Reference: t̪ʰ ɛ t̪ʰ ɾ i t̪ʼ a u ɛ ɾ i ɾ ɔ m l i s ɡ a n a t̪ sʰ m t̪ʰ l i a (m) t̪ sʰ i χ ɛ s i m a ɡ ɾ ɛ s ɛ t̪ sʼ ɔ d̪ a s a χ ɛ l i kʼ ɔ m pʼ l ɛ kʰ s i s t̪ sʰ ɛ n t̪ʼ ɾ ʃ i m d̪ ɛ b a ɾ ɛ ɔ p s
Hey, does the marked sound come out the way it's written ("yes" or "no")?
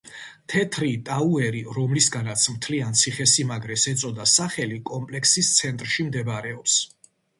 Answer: no